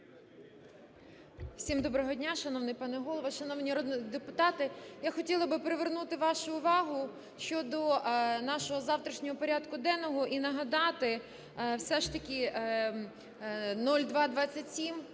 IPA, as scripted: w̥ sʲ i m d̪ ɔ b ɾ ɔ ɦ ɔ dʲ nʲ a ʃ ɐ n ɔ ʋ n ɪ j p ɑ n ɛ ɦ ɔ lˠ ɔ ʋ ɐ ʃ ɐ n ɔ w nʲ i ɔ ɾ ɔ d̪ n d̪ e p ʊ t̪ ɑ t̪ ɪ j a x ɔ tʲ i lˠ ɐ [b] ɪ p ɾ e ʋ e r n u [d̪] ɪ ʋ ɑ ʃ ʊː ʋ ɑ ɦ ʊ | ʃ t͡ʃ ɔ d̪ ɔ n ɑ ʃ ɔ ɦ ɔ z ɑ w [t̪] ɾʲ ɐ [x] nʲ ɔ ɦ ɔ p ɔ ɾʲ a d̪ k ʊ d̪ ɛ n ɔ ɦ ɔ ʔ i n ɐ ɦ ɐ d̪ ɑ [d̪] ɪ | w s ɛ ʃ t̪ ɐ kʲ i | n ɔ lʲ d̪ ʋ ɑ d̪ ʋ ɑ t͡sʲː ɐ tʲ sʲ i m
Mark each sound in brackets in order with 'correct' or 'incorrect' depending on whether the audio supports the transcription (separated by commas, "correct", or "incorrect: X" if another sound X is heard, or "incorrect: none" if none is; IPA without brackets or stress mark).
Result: correct, incorrect: t̪, correct, incorrect: ʃ, incorrect: t̪